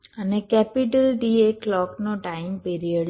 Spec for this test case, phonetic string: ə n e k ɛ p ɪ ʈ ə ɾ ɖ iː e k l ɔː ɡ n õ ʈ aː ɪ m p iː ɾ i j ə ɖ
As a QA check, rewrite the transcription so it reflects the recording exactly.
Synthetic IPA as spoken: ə n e k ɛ p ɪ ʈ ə l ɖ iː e k l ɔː k n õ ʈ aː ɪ m p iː ɾ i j ə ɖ